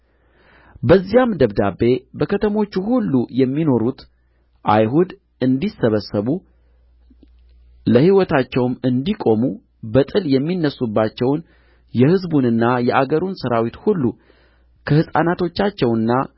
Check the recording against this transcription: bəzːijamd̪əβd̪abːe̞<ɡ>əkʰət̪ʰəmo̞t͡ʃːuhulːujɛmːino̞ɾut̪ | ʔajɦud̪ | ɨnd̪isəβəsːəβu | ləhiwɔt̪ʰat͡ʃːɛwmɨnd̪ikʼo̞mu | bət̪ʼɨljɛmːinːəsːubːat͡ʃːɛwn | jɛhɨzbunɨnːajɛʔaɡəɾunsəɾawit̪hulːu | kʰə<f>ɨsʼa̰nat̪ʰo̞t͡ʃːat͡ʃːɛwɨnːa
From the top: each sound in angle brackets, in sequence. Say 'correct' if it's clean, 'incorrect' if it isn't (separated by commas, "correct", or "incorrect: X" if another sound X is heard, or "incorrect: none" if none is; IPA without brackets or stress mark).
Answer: incorrect: b, incorrect: h